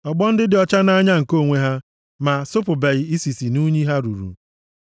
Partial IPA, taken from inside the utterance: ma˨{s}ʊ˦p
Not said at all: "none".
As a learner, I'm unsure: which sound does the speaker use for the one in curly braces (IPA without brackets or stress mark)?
s